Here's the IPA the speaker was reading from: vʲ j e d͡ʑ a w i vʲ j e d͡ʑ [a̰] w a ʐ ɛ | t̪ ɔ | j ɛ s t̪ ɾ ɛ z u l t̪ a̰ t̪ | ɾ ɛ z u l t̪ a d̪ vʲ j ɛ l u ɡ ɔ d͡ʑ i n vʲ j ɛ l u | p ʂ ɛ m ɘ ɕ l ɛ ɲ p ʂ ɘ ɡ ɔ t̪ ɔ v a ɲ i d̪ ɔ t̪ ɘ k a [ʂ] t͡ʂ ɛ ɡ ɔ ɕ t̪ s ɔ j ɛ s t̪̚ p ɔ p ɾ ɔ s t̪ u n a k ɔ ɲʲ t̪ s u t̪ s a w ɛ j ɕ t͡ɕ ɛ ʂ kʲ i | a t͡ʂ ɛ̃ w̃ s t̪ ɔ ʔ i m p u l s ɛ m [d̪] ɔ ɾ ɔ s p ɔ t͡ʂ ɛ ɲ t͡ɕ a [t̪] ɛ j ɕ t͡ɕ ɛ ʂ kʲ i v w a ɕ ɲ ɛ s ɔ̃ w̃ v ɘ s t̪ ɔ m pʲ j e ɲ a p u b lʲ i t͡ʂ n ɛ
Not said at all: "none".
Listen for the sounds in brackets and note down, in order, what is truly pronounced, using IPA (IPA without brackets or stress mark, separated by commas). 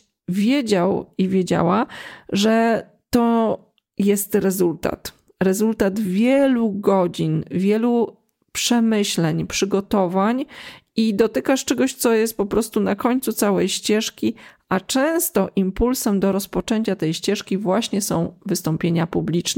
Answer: a̰, ʂ, d̪, t̪